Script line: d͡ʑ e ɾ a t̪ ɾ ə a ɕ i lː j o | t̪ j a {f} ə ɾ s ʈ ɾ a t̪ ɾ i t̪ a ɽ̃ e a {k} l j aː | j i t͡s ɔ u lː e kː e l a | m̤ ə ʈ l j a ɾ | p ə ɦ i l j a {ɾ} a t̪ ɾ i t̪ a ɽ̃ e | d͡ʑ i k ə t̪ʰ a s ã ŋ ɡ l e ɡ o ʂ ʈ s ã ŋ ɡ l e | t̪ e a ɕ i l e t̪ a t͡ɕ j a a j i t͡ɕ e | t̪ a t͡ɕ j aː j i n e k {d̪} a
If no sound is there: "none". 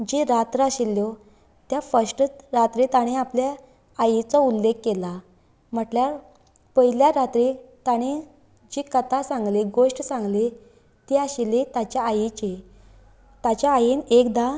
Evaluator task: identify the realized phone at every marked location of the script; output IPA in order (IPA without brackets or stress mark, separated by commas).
f, p, ɾ, d̪